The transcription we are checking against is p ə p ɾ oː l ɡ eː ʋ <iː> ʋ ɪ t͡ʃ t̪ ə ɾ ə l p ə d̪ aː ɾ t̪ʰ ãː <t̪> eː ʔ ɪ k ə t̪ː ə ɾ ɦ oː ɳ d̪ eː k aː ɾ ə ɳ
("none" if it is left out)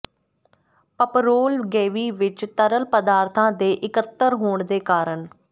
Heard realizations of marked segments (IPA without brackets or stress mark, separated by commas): iː, d̪